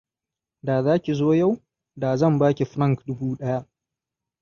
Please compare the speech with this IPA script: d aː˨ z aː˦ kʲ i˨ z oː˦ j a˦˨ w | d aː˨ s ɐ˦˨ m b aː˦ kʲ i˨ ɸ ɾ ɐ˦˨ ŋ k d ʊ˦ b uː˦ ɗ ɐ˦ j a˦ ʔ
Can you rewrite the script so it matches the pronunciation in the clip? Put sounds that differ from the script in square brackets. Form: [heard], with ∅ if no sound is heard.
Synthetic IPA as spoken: d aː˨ z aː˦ kʲ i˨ z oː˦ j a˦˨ w | d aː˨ [z] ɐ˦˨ m b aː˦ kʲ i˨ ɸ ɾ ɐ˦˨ ŋ k d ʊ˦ b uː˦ ɗ ɐ˦ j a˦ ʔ